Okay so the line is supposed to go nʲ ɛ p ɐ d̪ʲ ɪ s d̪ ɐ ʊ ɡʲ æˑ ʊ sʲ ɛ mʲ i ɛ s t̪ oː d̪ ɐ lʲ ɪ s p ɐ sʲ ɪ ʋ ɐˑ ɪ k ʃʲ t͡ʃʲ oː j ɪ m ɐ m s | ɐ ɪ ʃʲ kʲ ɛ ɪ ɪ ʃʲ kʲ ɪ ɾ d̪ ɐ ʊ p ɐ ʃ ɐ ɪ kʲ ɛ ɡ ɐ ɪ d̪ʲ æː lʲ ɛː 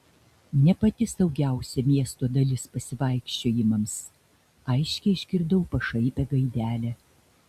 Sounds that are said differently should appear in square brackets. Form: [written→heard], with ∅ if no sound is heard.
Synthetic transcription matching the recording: nʲ ɛ p ɐ [d̪ʲ→t̪ʲ] ɪ s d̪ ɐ ʊ ɡʲ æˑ ʊ sʲ ɛ mʲ i ɛ s t̪ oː d̪ ɐ lʲ ɪ s p ɐ sʲ ɪ ʋ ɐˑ ɪ k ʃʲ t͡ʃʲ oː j ɪ m ɐ m s | ɐ ɪ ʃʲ kʲ ɛ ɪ ɪ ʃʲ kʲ ɪ ɾ d̪ ɐ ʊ p ɐ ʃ ɐ ɪ [kʲ→pʲ] ɛ ɡ ɐ ɪ d̪ʲ æː lʲ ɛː